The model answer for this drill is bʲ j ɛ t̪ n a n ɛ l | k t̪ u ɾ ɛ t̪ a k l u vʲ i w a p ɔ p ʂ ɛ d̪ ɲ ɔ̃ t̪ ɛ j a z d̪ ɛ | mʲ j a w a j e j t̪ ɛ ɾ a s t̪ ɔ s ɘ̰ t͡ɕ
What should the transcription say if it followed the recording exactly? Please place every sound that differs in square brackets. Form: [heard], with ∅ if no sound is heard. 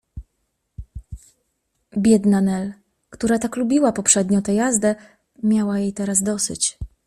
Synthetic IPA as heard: bʲ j ɛ [d̪] n a n ɛ l | k t̪ u ɾ [a] t̪ a k l u [bʲ] i w a p ɔ p ʂ ɛ d̪ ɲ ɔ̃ t̪ ɛ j a z d̪ ɛ | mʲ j a w a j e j t̪ ɛ ɾ a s [d̪] ɔ s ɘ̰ t͡ɕ